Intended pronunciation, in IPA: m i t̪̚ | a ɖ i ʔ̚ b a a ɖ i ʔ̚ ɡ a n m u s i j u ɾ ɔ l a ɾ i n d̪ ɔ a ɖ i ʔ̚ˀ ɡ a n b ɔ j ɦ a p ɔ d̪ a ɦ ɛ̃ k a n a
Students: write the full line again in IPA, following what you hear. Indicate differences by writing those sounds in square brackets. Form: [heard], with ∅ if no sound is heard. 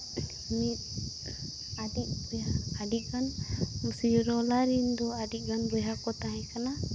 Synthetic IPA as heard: m i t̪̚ | a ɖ i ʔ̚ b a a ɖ i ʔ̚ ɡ a n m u s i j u ɾ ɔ l a ɾ i n d̪ ɔ a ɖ i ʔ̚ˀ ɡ a n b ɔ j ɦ a [k] ɔ [t̪] a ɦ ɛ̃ k a n a